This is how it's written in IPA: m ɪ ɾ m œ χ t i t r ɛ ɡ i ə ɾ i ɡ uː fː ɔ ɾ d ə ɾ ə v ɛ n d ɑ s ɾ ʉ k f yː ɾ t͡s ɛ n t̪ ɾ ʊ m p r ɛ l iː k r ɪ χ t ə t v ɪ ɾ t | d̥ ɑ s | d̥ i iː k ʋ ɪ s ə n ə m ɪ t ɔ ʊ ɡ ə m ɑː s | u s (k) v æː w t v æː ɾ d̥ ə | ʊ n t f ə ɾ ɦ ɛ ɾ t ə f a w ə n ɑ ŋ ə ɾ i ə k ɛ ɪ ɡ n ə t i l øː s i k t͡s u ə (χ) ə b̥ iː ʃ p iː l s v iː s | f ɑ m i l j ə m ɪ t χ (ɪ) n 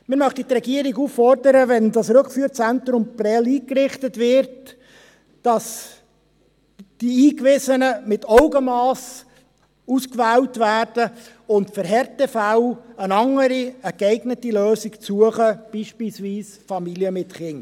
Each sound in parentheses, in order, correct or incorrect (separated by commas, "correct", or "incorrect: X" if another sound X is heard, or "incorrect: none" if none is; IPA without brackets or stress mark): correct, correct, correct